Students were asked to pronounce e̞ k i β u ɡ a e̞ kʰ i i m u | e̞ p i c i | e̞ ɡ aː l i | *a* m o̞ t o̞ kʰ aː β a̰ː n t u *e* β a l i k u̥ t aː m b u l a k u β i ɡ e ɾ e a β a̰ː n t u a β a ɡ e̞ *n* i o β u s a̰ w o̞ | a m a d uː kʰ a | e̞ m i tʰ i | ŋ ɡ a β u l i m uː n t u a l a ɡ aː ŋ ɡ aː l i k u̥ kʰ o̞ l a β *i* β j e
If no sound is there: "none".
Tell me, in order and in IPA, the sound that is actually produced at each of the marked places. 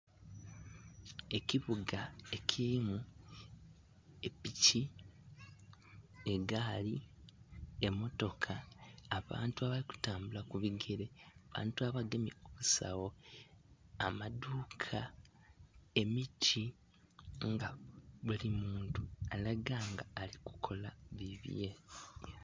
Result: e, a, m, i

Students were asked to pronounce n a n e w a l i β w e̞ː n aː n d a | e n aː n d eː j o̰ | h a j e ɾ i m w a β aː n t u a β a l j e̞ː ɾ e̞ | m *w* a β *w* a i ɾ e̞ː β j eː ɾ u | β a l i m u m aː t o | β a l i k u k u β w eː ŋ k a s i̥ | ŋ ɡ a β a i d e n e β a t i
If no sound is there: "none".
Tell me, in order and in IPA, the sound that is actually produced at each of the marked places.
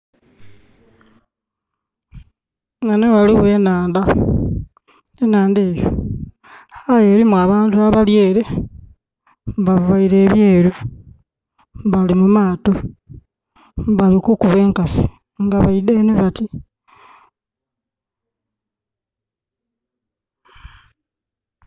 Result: β, β

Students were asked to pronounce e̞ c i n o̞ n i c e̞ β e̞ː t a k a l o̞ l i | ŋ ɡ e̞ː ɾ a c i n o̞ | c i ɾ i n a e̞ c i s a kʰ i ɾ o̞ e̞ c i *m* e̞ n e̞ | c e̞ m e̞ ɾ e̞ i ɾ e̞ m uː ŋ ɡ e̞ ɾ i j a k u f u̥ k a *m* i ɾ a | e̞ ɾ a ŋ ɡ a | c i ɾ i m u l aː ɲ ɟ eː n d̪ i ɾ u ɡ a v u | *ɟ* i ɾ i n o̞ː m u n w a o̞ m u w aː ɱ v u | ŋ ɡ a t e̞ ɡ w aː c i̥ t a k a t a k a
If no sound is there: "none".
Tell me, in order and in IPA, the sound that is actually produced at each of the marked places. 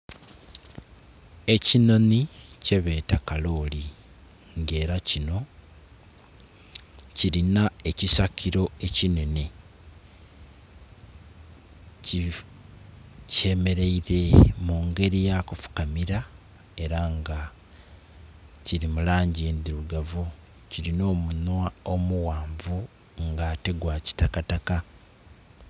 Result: n, m, c

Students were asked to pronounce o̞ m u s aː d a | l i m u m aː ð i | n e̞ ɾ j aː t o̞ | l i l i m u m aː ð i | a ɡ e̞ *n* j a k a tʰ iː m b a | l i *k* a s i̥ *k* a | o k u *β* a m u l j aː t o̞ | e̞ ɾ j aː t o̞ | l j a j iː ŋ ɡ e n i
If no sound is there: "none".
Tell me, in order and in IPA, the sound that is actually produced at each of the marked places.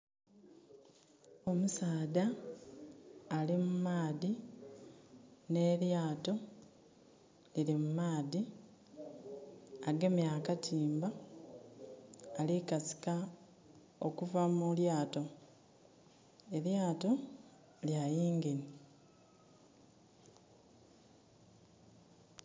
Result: m, k, k, v

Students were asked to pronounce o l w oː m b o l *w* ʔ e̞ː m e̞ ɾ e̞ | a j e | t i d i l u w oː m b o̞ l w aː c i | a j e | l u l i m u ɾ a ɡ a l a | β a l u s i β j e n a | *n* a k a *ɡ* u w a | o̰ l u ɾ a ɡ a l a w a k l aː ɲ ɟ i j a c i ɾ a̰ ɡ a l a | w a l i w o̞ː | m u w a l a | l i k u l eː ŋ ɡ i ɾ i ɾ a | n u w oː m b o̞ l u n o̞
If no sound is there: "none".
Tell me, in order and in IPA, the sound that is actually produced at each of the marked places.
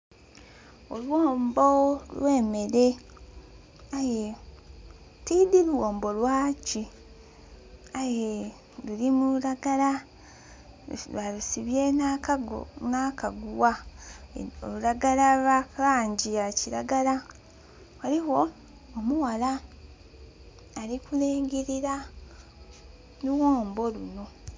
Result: w, n, ɡ

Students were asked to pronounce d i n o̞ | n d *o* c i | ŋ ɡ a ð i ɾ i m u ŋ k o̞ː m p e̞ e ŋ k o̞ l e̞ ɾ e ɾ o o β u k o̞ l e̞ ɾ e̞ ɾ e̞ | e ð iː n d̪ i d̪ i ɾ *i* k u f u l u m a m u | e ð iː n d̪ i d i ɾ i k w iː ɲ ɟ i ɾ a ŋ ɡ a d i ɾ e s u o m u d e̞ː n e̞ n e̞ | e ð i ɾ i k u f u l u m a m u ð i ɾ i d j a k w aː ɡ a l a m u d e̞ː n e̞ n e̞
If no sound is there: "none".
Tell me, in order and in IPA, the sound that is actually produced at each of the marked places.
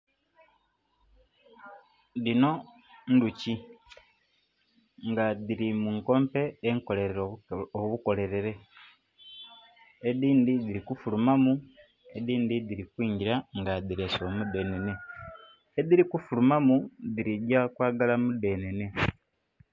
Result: u, i

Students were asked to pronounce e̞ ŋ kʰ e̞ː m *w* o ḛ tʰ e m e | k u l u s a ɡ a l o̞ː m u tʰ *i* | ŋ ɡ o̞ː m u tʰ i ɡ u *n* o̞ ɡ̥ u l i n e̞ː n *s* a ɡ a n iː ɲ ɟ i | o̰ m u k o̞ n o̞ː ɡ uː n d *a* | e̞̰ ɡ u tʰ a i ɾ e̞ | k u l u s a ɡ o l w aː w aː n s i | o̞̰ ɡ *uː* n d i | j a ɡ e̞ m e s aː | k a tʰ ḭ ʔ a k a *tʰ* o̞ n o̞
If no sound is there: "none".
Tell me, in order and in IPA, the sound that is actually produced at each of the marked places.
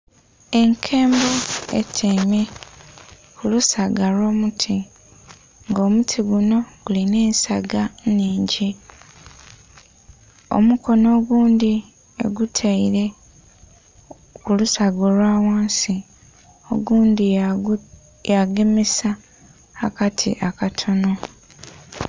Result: b, i, n, s, i, uː, tʰ

